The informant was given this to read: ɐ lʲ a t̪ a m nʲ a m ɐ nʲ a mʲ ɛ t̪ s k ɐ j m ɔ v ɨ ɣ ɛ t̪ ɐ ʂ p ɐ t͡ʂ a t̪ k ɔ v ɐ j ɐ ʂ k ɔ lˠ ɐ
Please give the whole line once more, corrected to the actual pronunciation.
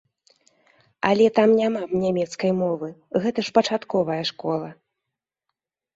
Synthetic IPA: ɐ lʲ ɛ t̪ a m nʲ a m a nʲ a mʲ ɛ t̪ s k ɐ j m ɔ v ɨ ɣ ɛ t̪ ɐ ʂ p ɐ t͡ʂ a t̪ k ɔ v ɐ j ɐ ʂ k ɔ lˠ ɐ